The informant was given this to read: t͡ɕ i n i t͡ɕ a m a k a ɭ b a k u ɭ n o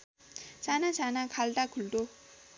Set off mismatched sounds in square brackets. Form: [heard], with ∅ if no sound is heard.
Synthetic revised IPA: t͡ɕ [a] n [a] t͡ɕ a [n] a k a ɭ [d] a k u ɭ [d] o